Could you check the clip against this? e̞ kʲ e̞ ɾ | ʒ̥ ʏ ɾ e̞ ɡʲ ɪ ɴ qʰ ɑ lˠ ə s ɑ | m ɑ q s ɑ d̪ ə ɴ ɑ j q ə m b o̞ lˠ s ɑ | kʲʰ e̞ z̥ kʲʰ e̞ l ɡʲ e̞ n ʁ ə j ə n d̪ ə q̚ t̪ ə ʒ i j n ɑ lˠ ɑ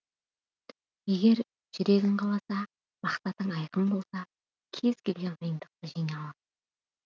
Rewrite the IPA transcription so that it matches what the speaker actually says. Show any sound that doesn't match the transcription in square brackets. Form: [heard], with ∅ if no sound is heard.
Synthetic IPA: e̞ [ɡʲ] e̞ ɾ | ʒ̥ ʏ ɾ e̞ ɡʲ ɪ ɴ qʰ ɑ lˠ [ɑ] s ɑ | m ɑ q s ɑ [t̪] ə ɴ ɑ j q ə m b o̞ lˠ s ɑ | kʲʰ e̞ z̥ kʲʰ e̞ l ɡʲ e̞ n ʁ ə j ə n d̪ ə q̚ t̪ ə ʒ i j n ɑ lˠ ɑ